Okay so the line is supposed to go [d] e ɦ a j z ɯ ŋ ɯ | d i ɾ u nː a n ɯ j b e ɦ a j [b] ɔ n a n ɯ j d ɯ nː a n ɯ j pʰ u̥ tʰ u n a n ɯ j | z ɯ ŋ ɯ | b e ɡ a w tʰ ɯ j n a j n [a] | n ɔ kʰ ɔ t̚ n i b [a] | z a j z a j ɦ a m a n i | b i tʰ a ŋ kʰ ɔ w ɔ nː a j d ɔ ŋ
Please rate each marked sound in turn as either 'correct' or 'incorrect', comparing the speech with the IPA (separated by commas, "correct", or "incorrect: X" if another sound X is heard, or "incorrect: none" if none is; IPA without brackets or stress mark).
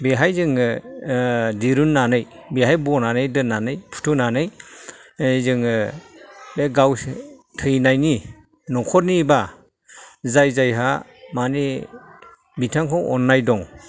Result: incorrect: b, correct, incorrect: i, correct